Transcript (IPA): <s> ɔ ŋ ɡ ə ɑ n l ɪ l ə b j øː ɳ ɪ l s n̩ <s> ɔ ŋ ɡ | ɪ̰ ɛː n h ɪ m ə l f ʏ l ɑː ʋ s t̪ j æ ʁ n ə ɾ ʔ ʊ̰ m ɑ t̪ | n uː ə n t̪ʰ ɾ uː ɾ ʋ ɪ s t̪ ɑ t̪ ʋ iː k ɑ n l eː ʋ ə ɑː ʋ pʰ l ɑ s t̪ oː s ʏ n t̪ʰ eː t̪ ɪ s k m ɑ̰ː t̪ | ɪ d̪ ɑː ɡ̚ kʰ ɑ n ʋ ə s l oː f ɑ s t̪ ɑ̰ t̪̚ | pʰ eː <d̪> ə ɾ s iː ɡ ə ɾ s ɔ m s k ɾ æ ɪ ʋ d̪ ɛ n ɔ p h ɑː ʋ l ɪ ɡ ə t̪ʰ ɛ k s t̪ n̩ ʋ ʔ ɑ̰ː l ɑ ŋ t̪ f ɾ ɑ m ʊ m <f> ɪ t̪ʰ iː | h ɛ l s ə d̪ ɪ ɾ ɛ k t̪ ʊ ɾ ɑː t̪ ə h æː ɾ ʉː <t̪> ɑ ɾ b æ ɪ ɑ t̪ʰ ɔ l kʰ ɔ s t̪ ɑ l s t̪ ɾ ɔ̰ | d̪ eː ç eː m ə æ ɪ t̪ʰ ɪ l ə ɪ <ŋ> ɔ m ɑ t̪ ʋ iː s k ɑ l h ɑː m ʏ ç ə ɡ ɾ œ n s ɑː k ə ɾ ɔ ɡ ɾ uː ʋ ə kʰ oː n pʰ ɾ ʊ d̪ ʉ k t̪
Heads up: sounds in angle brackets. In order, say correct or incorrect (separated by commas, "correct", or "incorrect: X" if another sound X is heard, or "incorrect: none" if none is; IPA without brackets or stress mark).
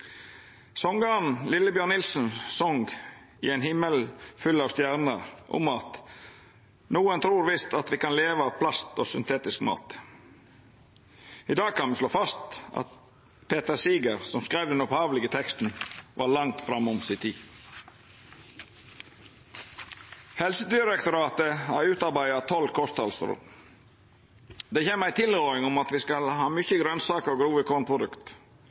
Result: correct, correct, incorrect: t̪, incorrect: s, correct, correct